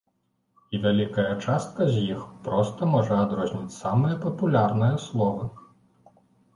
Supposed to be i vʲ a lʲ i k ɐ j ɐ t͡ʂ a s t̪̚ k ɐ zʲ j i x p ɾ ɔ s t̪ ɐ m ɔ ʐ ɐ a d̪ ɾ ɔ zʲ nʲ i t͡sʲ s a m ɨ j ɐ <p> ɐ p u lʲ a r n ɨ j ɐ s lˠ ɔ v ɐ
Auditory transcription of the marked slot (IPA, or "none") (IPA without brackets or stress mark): p